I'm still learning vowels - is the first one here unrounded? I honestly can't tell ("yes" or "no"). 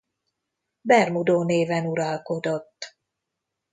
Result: yes